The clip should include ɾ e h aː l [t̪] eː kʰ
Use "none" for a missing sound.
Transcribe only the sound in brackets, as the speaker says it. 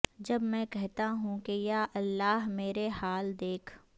d̪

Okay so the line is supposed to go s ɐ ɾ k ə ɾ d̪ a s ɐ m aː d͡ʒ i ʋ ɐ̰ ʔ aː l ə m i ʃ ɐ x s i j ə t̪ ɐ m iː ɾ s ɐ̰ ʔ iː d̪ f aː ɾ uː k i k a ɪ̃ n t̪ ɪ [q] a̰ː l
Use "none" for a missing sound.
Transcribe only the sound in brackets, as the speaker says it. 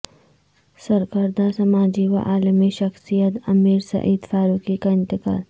k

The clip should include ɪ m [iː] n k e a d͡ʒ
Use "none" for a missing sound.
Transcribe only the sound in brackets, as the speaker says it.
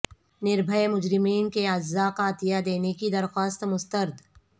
iː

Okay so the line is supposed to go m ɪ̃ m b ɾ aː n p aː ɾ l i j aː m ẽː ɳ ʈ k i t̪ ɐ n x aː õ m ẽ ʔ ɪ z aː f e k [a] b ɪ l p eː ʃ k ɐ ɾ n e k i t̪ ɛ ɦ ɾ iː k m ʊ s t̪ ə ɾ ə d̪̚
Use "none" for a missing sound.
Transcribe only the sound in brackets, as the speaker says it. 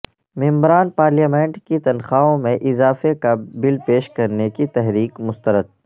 a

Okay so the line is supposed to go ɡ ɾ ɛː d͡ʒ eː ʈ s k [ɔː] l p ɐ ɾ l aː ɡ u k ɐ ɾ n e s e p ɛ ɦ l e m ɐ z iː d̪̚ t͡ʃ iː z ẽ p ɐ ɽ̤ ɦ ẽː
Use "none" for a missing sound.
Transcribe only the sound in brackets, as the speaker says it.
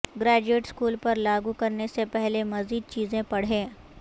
uː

